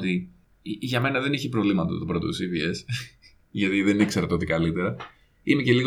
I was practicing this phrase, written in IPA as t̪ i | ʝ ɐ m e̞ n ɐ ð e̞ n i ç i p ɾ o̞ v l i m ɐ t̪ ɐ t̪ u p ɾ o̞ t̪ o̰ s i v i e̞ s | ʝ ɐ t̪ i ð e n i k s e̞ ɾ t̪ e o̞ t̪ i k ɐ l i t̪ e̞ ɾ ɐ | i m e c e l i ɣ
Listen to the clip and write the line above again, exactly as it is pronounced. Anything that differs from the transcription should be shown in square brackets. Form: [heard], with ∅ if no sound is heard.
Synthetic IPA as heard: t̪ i | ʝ ɐ m e̞ n ɐ ð e̞ n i ç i p ɾ o̞ v l i m ɐ t̪ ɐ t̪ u p ɾ o̞ t̪ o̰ s i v i e̞ s | ʝ ɐ t̪ i ð e n i k s e̞ ɾ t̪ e o̞ t̪ i k ɐ l i t̪ e̞ ɾ ɐ | i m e c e l i ɣ